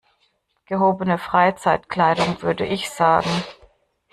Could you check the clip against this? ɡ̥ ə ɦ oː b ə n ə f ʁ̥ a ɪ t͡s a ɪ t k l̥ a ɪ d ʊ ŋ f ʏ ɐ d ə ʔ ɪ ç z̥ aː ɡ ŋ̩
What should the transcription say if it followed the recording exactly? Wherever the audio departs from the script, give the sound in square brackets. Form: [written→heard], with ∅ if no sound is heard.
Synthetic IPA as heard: ɡ̥ ə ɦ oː b ə n ə f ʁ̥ a ɪ t͡s a ɪ t k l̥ a ɪ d ʊ ŋ [f→v] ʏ ɐ d ə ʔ ɪ ç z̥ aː ɡ ŋ̩

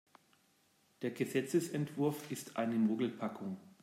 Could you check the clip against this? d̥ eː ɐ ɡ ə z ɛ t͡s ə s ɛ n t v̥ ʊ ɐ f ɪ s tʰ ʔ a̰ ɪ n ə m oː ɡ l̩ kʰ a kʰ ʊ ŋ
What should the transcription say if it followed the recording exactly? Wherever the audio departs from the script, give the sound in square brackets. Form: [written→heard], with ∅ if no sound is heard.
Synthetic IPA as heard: d̥ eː ɐ ɡ ə z ɛ t͡s ə s ɛ n t v̥ ʊ ɐ f ɪ s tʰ ʔ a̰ ɪ n ə m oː ɡ l̩ [kʰ→pʰ] a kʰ ʊ ŋ

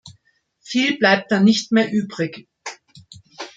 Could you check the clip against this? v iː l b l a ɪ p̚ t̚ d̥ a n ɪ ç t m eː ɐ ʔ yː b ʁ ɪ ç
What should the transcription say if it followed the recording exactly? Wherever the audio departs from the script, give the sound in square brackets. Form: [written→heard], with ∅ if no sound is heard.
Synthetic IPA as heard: [v→f] iː l b l a ɪ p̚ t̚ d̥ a n ɪ ç t m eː ɐ ʔ yː b ʁ ɪ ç

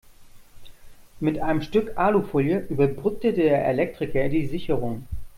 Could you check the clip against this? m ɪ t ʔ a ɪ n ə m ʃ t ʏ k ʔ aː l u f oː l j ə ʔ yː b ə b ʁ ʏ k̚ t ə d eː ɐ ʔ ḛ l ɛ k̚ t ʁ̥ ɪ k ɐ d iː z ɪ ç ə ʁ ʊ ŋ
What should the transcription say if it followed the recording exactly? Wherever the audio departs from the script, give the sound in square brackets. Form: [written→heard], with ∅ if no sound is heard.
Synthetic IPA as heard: m ɪ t ʔ a ɪ n ə m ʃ t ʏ k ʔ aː l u f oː l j ə ʔ yː b [ə→ɐ] b ʁ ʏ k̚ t ə d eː ɐ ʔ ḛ l ɛ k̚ t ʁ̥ ɪ k ɐ d iː z ɪ ç ə ʁ ʊ ŋ

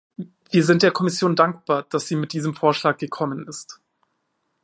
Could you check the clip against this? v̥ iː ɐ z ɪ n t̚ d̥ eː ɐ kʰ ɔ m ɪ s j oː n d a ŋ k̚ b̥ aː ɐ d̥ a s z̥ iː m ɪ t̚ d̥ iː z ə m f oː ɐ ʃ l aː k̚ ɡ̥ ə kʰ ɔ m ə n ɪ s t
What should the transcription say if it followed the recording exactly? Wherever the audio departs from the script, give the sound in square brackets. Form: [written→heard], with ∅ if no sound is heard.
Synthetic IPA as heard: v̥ iː ɐ z ɪ n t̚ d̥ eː ɐ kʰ ɔ m ɪ s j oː n d a ŋ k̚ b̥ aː ɐ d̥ a s z̥ iː m ɪ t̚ d̥ iː z ə m f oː ɐ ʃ l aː k̚ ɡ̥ ə kʰ ɔ m ə n ɪ s t

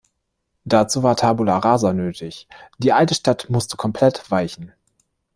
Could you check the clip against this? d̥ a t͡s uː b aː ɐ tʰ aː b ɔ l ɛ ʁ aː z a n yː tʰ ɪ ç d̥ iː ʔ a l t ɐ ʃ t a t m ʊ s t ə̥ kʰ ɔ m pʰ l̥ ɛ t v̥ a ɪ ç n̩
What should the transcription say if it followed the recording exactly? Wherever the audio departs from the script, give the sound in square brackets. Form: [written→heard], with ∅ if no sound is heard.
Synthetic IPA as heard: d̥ a t͡s uː [b→v] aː ɐ tʰ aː b [ɔ→u] l [ɛ→a] ʁ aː z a n [yː→øː] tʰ ɪ ç d̥ iː ʔ a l t [ɐ→ə] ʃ t a t m ʊ s t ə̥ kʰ ɔ m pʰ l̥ ɛ t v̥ a ɪ ç n̩

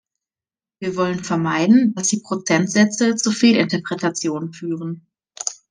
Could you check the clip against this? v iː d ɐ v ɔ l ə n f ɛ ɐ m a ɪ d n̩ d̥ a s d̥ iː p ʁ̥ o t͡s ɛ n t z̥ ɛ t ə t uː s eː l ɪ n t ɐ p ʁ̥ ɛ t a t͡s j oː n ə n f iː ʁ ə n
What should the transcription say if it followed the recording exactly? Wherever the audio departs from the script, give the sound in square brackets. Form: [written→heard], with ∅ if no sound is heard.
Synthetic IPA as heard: v iː [d→∅] ɐ v ɔ l ə n f ɛ ɐ m a ɪ d n̩ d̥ a s d̥ iː p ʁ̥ o t͡s ɛ n t z̥ ɛ [t→t͡s] ə [t→t͡s] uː [s→f] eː l ɪ n t ɐ p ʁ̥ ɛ t a t͡s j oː n ə n f [iː→yː] ʁ ə n

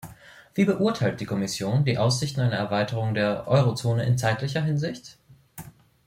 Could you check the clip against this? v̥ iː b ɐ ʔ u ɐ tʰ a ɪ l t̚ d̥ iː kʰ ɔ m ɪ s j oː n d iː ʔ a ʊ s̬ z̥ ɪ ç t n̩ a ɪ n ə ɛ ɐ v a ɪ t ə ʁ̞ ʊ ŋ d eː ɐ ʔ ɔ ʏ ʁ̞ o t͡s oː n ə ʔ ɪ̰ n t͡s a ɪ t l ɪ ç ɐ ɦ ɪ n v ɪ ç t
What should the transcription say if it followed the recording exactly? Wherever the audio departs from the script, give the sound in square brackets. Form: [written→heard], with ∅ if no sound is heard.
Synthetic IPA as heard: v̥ iː b [ɐ→ə] ʔ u ɐ tʰ a ɪ l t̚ d̥ iː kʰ ɔ m ɪ s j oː n d iː ʔ a ʊ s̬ z̥ ɪ ç t n̩ a ɪ n ə ɛ ɐ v a ɪ t ə ʁ̞ ʊ ŋ d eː ɐ ʔ ɔ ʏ ʁ̞ o t͡s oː n ə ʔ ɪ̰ n t͡s a ɪ t l ɪ ç ɐ ɦ ɪ n [v→z] ɪ ç t

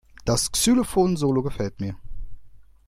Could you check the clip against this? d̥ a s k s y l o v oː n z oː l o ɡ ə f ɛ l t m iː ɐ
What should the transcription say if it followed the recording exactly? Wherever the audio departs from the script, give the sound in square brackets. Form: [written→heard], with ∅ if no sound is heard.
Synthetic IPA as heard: d̥ a s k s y l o [v→f] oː n z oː l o ɡ ə f ɛ l t m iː ɐ

